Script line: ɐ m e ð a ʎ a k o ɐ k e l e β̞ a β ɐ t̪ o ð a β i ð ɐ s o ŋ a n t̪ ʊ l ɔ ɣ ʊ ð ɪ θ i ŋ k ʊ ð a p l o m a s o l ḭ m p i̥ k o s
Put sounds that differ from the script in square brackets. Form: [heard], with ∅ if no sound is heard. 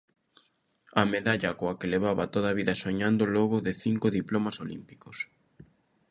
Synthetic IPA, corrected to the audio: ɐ m e ð a ʎ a k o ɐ k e l e β̞ a β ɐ t̪ o ð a β i ð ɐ s o [ɲ] a n [d̪] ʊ l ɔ ɣ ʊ ð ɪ θ i ŋ k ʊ ð [i] p l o m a s o l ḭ m p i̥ k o s